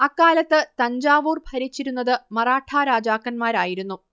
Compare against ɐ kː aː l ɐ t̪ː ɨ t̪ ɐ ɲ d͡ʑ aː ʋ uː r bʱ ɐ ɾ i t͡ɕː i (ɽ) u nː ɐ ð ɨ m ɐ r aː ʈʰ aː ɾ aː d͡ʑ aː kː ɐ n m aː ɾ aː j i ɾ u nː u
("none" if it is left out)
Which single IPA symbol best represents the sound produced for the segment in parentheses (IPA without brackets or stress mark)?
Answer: ɾ